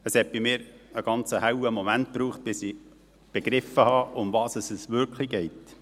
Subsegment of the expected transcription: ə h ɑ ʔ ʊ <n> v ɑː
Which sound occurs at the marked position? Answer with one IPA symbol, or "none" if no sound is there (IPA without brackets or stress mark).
m